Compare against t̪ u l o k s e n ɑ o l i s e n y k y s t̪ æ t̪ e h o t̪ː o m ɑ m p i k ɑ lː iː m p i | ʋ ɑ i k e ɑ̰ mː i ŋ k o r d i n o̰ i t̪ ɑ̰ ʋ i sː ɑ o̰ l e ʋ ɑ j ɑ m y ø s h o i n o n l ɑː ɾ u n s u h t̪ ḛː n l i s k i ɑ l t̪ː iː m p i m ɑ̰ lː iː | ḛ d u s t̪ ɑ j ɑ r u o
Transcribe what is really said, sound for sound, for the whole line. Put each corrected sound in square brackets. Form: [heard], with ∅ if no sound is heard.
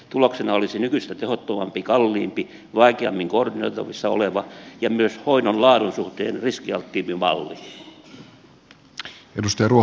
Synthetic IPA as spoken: t̪ u l o k s e n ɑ o l i s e n y k y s t̪ æ t̪ e h o t̪ː o m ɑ m p i k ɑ lː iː m p i | ʋ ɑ i k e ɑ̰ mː i ŋ k o r d i n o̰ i t̪ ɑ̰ ʋ i sː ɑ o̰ l e ʋ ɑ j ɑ m y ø s h o i n o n l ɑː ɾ u n s u h t̪ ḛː n [r] i s k i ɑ l t̪ː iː m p i m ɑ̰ lː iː | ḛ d u s t̪ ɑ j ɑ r u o